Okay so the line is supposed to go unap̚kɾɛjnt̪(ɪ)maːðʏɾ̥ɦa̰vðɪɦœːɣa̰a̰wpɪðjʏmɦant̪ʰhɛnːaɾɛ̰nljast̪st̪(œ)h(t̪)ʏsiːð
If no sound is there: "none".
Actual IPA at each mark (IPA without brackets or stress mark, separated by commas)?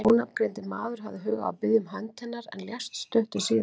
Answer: ɪ, œ, t̪